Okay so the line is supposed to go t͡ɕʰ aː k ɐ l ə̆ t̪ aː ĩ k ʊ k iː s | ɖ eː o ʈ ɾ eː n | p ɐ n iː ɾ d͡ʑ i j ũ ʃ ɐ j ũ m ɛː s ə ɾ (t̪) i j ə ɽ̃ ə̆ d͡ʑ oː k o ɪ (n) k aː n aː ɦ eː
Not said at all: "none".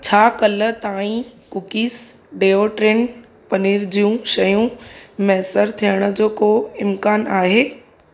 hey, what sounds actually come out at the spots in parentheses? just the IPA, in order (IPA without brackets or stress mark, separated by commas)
t̪ʰ, m